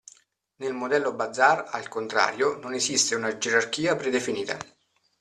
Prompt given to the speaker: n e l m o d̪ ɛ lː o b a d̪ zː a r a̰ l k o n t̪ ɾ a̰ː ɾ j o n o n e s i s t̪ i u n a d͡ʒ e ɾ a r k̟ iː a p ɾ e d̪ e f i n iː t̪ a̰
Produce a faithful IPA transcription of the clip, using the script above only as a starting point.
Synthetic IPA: n e l m o d̪ ɛ lː o b a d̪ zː a r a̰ l k o n t̪ ɾ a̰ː ɾ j o n o n e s i s t̪ e u n a d͡ʒ e ɾ a r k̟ iː a p ɾ e d̪ e f i n iː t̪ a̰